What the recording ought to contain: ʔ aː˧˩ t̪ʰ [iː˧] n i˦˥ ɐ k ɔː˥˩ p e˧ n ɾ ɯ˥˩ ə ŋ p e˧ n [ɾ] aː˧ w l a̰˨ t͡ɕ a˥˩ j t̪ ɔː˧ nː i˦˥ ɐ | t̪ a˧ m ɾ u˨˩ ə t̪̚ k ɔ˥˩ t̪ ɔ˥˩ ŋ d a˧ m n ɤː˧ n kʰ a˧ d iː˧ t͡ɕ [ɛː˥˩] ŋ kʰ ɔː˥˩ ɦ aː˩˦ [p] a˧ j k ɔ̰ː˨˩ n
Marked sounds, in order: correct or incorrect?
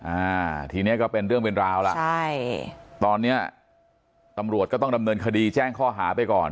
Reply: correct, correct, correct, correct

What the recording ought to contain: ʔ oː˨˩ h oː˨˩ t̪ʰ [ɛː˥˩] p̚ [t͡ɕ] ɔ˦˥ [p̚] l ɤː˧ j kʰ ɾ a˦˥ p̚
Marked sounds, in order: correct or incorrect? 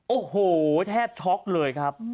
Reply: correct, incorrect: t͡ɕʰ, incorrect: k̚

